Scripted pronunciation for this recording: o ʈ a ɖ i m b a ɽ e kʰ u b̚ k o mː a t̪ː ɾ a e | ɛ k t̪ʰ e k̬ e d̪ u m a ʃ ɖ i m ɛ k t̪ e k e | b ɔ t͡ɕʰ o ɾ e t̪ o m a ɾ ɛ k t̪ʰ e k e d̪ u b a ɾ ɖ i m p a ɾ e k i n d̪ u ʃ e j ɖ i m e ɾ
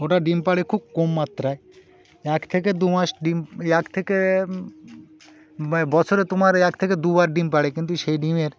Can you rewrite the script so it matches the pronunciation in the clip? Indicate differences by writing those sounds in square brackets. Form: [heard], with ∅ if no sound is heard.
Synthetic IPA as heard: o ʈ a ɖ i m [p] a ɽ e kʰ u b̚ k o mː a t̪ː ɾ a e | ɛ k t̪ʰ e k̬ e d̪ u m a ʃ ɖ i m ɛ k [t̪ʰ] e k e | b ɔ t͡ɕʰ o ɾ e t̪ o m a ɾ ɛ k t̪ʰ e k e d̪ u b a ɾ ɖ i m p a [ɽ] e k i n [t̪] u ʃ e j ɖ i m e ɾ